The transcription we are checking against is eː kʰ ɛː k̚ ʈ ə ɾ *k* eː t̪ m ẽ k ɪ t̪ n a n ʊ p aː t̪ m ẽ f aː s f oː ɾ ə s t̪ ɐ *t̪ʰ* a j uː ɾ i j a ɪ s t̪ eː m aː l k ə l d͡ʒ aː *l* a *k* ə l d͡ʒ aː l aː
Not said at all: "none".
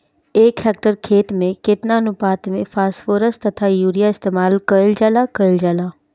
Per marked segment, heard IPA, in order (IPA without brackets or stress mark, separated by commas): kʰ, t̪ʰ, l, k